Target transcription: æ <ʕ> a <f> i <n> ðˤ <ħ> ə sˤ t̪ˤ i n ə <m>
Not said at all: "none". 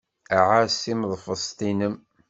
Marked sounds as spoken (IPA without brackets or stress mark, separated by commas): ʕ, s, m, f, m